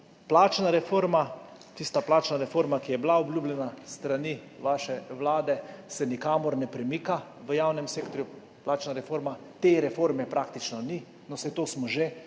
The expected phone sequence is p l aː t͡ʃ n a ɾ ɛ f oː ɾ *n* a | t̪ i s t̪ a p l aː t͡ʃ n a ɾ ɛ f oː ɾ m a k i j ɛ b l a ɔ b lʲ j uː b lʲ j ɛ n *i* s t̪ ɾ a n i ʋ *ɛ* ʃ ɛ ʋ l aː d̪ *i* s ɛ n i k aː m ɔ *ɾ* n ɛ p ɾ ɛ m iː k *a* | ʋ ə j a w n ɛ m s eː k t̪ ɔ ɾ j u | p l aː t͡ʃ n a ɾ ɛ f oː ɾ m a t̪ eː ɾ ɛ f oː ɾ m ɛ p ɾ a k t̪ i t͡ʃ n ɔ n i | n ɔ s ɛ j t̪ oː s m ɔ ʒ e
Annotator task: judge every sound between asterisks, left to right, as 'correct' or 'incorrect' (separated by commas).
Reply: incorrect, incorrect, incorrect, incorrect, correct, correct